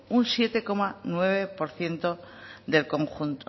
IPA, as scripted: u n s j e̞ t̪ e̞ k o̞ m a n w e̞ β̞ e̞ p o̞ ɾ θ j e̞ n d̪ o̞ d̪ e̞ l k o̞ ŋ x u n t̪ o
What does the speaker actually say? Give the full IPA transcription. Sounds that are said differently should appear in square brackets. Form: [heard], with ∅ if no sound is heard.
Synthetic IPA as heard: u n s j e̞ t̪ e̞ k o̞ m a n w e̞ β̞ e̞ p o̞ ɾ θ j e̞ n [t̪] o̞ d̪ e̞ l k o̞ ŋ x u n t̪ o